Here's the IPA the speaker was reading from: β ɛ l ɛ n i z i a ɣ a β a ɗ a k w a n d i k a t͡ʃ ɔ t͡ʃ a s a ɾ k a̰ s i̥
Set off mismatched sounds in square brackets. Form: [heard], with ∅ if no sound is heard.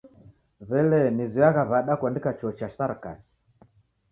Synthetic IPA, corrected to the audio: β ɛ l ɛ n i z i a ɣ a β a ɗ a k w a n d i k a t͡ʃ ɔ t͡ʃ a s a ɾ k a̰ s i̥